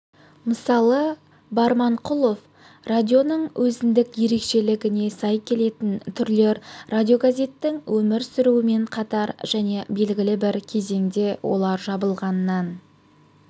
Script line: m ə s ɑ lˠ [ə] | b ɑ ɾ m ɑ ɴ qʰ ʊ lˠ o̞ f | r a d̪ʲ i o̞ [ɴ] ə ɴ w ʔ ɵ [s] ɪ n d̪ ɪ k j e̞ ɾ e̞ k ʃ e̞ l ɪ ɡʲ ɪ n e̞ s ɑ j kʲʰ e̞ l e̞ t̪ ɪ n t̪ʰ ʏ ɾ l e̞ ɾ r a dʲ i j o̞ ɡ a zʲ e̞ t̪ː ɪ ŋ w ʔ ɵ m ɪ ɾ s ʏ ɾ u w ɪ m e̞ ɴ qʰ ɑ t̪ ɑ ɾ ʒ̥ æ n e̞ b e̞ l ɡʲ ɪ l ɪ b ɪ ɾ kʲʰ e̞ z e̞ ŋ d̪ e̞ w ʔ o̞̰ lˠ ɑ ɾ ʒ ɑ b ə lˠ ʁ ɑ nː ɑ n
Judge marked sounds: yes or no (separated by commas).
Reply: yes, no, no